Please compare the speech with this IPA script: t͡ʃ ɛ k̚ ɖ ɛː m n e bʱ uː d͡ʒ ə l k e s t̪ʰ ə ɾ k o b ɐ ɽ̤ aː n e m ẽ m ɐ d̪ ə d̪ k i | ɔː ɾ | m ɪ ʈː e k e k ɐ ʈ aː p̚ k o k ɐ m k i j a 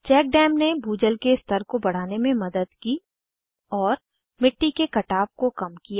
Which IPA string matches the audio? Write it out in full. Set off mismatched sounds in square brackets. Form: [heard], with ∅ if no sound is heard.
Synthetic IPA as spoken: t͡ʃ [ɛː] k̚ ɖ ɛː m n e bʱ uː d͡ʒ ə l k e s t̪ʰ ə ɾ k o b ɐ ɽ̤ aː n e m ẽ m ɐ d̪ ə d̪ k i | ɔː ɾ | m ɪ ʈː [i] k e k ɐ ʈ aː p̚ k o k ɐ m k i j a